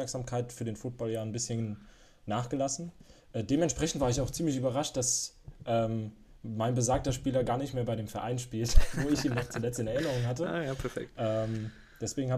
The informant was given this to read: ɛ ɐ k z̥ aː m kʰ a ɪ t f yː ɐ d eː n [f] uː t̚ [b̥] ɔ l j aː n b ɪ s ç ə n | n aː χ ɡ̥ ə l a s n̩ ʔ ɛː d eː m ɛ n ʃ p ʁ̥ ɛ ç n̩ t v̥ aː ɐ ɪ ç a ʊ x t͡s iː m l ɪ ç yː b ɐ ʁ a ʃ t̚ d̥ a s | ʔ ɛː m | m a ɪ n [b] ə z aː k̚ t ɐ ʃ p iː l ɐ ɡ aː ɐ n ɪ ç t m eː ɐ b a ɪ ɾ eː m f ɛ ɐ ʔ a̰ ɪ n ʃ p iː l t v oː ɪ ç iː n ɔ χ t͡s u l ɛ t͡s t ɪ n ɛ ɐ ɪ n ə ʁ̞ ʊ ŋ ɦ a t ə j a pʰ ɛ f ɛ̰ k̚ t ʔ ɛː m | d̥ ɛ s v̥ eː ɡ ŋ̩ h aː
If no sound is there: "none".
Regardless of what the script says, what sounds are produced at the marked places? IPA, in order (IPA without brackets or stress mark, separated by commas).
f, b̥, b